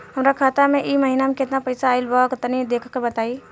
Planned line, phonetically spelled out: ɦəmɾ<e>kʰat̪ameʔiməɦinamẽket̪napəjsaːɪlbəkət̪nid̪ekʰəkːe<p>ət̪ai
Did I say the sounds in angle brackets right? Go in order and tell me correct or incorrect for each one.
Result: incorrect, incorrect

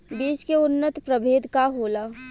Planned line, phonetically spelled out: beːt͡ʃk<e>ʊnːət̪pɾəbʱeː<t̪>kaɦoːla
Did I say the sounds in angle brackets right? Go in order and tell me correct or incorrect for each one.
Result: correct, incorrect

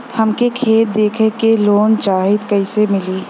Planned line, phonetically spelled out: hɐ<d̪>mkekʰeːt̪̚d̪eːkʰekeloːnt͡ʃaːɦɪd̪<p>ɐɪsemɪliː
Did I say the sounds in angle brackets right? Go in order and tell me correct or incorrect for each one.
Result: incorrect, incorrect

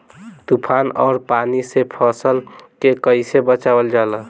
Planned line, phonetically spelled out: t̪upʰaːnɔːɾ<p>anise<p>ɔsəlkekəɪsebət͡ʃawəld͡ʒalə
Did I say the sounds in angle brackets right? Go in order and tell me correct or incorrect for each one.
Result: correct, incorrect

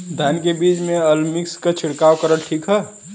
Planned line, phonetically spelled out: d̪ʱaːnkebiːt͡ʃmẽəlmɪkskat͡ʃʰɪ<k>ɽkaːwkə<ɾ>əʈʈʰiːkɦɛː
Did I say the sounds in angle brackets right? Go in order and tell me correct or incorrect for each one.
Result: incorrect, correct

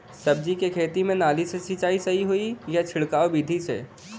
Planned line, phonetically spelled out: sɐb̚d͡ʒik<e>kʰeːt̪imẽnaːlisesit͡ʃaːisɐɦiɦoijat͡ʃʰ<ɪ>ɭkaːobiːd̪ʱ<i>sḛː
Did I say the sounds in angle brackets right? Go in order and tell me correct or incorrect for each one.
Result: correct, correct, correct

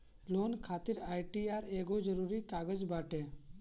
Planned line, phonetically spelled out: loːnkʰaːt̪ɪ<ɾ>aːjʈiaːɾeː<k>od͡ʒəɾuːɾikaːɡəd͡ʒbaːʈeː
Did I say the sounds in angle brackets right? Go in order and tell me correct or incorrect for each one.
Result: correct, incorrect

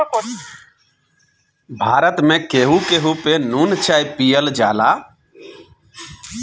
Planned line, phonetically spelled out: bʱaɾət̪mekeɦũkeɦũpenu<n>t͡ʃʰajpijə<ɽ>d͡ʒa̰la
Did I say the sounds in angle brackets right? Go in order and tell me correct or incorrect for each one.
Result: correct, incorrect

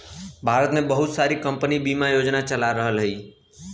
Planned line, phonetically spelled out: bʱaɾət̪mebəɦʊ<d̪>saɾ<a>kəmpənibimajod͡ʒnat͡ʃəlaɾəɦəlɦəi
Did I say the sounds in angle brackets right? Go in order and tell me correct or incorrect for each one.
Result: incorrect, incorrect

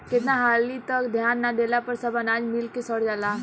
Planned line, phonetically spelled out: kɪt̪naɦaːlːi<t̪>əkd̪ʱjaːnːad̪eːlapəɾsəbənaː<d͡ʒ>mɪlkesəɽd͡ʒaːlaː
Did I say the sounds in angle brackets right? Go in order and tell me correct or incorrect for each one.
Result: correct, correct

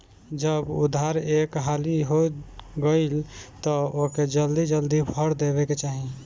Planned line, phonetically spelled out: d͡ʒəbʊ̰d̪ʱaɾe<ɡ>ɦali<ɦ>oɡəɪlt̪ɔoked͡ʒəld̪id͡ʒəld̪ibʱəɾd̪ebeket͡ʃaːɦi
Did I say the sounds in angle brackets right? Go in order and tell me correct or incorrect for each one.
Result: incorrect, correct

